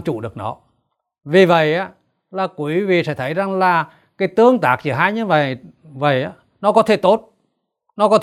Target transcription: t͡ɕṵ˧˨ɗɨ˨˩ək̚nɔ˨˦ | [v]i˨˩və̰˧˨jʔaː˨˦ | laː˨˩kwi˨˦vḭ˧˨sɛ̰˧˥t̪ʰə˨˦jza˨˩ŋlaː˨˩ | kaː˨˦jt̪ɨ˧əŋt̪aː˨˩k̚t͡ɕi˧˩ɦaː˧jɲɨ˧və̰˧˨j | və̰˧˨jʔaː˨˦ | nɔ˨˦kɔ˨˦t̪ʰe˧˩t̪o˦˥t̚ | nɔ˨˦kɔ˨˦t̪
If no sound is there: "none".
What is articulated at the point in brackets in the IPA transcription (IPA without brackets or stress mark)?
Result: v